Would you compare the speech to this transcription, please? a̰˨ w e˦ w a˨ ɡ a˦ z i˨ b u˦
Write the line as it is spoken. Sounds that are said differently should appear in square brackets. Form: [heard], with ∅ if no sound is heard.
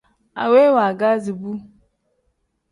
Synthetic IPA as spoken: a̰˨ w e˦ w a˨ ɡ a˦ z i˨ b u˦

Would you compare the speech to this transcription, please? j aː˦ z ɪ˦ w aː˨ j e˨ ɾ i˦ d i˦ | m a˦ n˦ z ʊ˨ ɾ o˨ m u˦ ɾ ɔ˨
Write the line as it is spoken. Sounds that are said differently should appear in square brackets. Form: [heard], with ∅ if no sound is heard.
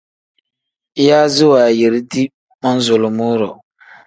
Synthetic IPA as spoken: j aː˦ z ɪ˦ w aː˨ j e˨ ɾ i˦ d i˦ | m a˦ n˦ z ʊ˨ [l] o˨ m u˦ ɾ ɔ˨

